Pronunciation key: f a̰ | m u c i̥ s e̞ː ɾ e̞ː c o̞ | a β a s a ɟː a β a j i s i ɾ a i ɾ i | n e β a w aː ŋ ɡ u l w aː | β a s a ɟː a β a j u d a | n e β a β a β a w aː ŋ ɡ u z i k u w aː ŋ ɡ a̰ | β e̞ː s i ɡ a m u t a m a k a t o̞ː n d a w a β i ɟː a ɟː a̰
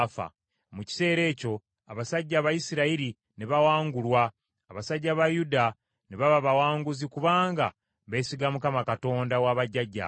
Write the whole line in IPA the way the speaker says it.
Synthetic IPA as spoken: f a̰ | m u c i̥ s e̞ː ɾ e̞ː c o̞ | a β a s a ɟː a β a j i s i ɾ a i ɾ i | n e β a w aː ŋ ɡ u l w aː | β a s a ɟː a β a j u d a | n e β a β a β a w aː ŋ ɡ u z i k u β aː ŋ ɡ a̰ | β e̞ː s i ɡ a m u k a m a k a t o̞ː n d a w a β a ɟː a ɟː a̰